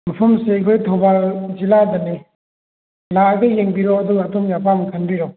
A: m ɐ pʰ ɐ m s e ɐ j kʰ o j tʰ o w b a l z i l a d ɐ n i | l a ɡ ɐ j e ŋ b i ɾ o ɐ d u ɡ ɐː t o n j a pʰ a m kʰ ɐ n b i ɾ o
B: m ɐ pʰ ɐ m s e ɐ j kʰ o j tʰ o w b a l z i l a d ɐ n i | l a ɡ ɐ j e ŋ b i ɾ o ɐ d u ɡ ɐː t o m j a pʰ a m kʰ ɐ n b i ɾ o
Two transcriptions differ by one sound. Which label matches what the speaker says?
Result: B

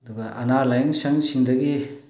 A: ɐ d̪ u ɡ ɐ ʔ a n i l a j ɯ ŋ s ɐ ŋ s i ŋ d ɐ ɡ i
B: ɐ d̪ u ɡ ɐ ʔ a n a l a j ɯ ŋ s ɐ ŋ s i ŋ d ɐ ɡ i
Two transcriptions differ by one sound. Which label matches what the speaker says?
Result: B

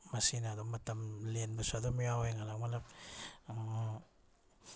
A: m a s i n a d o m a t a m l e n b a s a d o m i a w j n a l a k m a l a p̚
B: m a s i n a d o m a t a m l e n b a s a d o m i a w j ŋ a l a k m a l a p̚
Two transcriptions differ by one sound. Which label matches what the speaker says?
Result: B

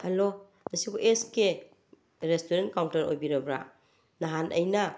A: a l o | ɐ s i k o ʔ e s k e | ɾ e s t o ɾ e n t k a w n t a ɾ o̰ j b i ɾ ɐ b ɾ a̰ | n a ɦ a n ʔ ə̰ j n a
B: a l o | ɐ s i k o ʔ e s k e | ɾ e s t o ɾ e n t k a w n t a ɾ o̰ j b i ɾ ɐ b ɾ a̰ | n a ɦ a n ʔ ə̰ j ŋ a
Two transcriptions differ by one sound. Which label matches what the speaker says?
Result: A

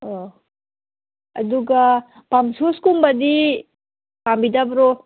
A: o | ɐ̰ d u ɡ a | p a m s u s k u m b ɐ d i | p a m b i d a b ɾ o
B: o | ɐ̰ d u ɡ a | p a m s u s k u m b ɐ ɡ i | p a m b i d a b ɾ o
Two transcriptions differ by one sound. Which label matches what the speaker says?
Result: A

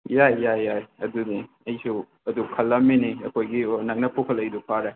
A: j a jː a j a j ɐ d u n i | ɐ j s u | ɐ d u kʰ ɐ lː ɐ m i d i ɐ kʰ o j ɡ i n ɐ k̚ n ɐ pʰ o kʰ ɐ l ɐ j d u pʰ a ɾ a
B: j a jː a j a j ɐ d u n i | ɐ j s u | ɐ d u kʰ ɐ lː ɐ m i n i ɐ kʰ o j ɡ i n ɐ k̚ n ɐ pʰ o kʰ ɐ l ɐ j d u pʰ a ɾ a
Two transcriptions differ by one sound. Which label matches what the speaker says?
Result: B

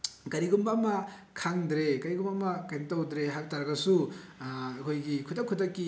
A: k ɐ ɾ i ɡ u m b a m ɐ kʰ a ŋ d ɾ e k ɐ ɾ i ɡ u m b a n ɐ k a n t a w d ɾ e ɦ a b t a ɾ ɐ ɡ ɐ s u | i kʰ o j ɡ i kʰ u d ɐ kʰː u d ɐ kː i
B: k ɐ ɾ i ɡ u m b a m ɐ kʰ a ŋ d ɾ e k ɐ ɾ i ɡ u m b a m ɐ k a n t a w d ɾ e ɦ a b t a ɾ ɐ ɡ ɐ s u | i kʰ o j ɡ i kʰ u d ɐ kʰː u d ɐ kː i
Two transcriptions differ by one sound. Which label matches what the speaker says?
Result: B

